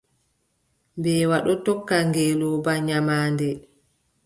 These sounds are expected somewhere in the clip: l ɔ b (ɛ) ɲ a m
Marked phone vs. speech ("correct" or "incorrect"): incorrect